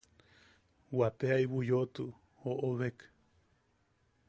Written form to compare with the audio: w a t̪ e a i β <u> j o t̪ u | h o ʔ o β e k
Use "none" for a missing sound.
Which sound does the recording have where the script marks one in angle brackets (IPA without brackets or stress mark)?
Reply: u